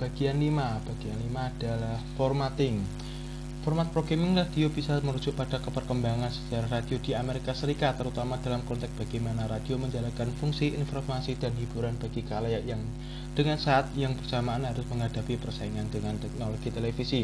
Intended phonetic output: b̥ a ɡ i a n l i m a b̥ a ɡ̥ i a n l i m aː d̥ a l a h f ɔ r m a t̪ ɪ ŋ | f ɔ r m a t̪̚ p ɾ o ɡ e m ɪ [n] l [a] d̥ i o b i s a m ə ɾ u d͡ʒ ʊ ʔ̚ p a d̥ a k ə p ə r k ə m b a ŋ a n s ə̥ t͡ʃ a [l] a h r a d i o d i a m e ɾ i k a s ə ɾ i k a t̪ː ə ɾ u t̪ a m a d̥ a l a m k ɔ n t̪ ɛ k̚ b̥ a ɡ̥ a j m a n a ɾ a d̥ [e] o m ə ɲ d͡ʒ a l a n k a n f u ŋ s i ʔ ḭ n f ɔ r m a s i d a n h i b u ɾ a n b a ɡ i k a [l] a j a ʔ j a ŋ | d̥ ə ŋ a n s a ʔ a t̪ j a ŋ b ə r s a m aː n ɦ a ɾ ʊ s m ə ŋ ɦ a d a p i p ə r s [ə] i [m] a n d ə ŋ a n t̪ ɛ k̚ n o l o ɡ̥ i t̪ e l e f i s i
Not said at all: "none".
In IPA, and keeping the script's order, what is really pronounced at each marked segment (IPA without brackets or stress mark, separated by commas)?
ŋ, a, ɾ, i, l, a, ŋ